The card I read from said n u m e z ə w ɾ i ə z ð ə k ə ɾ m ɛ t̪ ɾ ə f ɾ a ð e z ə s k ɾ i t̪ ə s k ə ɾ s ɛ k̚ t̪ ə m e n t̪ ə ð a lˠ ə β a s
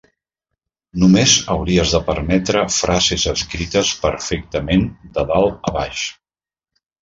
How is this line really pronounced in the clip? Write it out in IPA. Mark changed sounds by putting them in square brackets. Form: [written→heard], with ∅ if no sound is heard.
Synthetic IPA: n u m e z ə w ɾ i ə z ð ə [k→p] ə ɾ m ɛ t̪ ɾ ə f ɾ a [ð→z] e z ə s k ɾ i t̪ ə s [k→p] ə ɾ [s→f] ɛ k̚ t̪ ə m e n [t̪→d̪] ə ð a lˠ ə β a [s→ʃ]